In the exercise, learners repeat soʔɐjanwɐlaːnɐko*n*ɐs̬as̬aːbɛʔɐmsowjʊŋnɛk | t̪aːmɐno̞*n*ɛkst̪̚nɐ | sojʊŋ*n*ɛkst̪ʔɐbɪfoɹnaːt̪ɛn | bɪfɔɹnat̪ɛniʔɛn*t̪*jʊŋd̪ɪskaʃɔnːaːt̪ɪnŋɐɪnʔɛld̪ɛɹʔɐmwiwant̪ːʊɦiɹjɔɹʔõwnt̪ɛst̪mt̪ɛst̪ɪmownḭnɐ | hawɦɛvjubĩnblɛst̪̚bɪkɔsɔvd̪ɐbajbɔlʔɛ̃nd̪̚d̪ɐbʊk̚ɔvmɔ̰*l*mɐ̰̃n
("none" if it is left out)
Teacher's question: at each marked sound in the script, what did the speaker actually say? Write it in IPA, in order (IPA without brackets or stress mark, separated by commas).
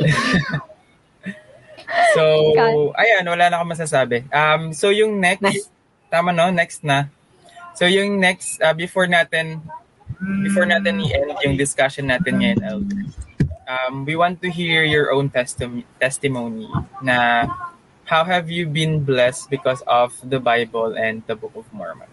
m, n, n, d̪, ɹ